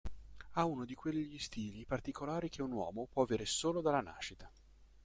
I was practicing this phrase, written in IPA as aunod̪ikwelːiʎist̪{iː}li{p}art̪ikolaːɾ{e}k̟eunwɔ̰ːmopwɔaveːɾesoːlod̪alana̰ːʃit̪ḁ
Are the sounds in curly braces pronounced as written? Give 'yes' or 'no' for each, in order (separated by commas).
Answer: yes, yes, no